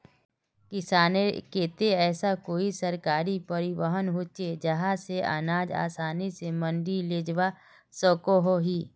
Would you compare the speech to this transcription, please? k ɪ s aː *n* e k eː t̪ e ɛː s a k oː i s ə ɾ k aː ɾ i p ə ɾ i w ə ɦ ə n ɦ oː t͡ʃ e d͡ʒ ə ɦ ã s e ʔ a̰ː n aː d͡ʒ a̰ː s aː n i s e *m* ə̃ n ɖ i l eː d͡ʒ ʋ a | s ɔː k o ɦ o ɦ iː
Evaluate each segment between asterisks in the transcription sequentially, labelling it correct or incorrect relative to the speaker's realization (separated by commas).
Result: correct, correct